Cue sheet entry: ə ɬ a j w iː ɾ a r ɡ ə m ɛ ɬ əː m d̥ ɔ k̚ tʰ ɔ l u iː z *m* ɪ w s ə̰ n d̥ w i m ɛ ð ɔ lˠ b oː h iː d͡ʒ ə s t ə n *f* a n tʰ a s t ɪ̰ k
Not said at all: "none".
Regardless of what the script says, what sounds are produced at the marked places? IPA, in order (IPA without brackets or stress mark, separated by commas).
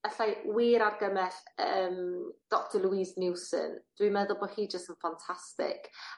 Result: n, f